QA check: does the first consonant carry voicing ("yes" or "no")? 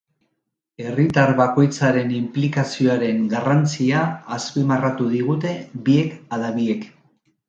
yes